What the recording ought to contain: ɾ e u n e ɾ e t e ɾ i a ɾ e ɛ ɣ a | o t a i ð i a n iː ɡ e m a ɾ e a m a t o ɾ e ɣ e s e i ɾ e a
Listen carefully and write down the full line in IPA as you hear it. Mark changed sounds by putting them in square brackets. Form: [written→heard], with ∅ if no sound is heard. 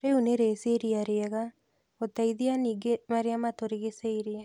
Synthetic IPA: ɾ e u n e ɾ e [t→s] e ɾ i a ɾ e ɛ ɣ a | o t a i ð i a n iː ɡ e m a ɾ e a m a t o ɾ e ɣ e s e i ɾ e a